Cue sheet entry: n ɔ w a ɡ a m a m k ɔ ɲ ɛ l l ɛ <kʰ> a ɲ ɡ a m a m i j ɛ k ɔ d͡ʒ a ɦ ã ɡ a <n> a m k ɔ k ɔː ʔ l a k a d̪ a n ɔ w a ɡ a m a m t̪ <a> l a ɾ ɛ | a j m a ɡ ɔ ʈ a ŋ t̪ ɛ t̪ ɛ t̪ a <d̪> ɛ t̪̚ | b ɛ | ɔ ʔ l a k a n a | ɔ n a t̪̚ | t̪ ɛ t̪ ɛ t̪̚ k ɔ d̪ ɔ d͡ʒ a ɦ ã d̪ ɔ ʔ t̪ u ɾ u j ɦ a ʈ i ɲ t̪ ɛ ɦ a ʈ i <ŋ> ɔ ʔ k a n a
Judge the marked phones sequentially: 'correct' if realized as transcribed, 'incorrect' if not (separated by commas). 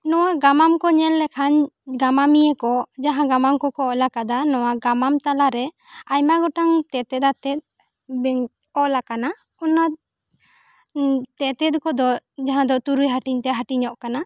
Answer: correct, incorrect, correct, incorrect, incorrect